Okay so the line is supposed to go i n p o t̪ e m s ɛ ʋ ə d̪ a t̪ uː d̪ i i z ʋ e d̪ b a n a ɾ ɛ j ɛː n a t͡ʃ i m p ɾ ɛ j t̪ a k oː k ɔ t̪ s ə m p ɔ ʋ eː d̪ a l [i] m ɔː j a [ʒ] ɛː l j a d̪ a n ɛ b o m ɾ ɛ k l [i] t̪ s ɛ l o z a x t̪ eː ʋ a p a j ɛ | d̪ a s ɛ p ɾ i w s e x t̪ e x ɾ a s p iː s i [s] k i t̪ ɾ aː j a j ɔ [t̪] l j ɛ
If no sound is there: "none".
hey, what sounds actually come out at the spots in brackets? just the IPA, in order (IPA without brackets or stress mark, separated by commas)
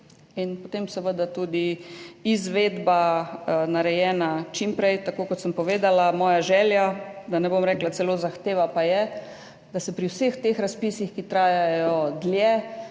a, ʒ, a, x, d̪